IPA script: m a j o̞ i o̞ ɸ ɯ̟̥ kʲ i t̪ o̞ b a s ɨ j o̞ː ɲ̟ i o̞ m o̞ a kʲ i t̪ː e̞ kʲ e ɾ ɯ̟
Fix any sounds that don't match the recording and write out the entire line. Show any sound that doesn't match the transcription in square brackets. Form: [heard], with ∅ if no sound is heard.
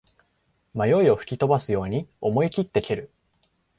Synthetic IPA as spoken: m a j o̞ i o̞ ɸ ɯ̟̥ kʲ i t̪ o̞ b a s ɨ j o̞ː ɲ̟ i o̞ m o̞ [i] kʲ i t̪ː e̞ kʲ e ɾ ɯ̟